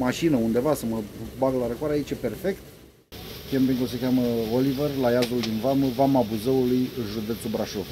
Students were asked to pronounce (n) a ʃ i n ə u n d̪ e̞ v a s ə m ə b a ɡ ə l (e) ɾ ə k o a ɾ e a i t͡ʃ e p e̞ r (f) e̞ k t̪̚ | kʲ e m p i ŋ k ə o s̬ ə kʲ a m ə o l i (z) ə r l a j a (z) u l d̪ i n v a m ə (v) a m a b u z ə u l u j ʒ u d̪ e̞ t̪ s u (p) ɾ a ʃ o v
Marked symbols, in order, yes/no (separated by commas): no, no, yes, no, yes, yes, no